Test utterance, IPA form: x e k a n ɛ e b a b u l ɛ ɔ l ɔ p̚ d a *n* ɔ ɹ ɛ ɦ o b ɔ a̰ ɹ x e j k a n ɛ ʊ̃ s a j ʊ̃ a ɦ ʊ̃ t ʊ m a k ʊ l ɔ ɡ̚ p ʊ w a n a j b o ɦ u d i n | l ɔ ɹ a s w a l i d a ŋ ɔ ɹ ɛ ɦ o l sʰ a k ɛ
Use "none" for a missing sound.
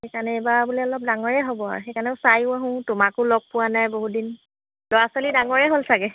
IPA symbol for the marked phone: ŋ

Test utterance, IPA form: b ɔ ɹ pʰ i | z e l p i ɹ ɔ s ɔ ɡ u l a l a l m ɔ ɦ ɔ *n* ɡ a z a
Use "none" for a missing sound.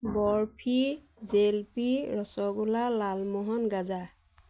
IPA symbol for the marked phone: n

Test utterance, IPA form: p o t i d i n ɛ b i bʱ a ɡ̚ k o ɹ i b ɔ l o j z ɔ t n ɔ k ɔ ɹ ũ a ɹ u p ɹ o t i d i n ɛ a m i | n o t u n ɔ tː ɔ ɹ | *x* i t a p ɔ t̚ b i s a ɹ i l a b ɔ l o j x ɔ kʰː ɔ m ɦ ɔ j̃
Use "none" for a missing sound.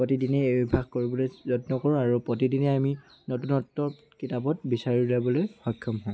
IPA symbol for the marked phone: k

